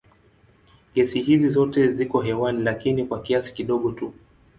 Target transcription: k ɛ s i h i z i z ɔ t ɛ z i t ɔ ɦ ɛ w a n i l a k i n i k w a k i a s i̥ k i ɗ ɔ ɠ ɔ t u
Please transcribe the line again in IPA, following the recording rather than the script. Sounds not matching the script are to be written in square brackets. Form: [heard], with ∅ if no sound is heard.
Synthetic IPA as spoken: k ɛ s i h i z i z ɔ t ɛ z i [k] ɔ ɦ ɛ w a n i l a k i n i k w a k i a s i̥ k i ɗ ɔ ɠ ɔ t u